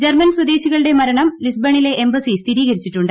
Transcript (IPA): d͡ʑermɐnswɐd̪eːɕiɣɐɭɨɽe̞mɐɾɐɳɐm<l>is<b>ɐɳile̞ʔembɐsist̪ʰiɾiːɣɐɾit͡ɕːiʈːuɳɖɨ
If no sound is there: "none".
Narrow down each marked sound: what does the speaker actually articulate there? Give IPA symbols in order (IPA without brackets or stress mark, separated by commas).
l, b